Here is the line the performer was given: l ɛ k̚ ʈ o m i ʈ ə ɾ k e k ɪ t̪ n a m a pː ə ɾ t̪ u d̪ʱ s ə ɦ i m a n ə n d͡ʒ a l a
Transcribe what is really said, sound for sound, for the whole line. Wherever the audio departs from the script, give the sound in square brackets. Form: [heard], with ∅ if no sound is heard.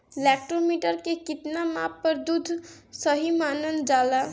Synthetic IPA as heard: l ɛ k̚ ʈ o m i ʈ ə ɾ k e k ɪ t̪ n a m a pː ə ɾ [d̪] u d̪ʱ s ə ɦ i m a n ə n d͡ʒ a l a